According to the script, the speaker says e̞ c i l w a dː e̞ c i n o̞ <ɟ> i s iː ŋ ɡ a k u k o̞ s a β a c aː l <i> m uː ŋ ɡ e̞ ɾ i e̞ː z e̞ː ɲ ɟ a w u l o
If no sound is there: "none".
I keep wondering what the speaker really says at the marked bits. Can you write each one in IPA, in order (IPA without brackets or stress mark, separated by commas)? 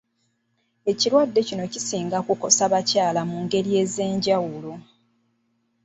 c, a